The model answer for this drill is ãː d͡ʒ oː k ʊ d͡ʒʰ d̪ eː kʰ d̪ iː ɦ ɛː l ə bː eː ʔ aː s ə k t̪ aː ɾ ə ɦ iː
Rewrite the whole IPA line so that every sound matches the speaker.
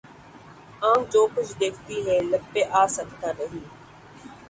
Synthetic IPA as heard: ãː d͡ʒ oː k ʊ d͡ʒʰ d̪ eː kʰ t̪ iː ɦ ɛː l ə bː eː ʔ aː s ə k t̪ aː ɾ ə ɦ iː